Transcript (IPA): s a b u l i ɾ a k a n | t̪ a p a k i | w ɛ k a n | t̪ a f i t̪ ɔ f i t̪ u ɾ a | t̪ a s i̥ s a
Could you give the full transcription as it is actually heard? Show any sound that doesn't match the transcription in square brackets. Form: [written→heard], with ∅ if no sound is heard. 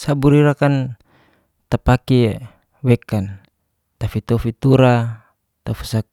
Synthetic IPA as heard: s a b u [l→ɾ] i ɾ a k a n | t̪ a p a k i | w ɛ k a n | t̪ a f i t̪ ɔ f i t̪ u ɾ a | t̪ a [s→f] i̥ s a